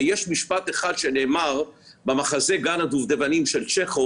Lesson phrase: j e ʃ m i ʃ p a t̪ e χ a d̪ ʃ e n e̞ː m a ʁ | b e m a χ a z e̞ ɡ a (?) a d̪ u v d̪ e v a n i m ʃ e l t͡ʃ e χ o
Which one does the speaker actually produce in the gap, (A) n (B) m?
A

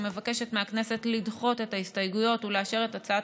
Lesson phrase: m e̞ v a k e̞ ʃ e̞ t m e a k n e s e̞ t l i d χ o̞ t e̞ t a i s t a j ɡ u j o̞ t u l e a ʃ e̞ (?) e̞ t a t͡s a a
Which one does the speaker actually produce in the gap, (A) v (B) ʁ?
B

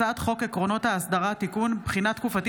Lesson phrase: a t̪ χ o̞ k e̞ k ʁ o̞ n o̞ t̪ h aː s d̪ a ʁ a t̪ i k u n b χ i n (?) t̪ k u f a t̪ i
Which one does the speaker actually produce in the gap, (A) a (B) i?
A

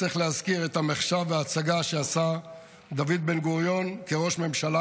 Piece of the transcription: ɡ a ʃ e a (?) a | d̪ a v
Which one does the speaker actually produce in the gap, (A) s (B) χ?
A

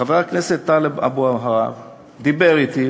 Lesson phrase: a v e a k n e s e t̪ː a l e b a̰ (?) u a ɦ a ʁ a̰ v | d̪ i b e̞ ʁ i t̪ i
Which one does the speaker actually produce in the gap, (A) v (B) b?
B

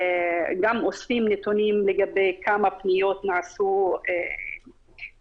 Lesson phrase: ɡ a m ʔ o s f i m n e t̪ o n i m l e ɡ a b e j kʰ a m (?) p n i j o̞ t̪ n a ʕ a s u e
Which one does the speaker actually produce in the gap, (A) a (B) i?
A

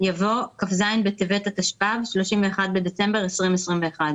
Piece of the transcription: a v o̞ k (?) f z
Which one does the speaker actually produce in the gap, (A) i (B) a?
B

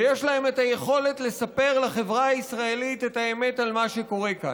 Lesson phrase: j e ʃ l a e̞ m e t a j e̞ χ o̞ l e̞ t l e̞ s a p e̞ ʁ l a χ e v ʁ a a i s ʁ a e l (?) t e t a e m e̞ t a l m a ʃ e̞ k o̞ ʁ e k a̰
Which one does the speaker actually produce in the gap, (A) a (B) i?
B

